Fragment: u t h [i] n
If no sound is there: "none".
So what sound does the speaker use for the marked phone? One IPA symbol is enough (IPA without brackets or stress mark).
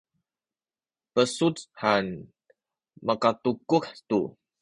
a